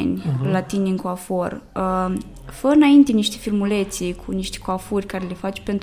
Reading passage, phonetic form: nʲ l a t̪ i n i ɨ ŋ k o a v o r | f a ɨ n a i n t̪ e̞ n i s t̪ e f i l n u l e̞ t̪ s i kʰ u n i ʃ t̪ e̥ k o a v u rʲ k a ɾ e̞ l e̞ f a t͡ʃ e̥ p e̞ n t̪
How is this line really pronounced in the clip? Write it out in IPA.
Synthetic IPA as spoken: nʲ l a t̪ i n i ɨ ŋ k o a f o r | f ə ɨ n a i n t̪ e̞ n i ʃ t̪ e f i l m u l e̞ t̪ s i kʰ u n i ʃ t̪ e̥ k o a f u rʲ k a ɾ e̞ l e̞ f a t͡ʃ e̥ p e̞ n t̪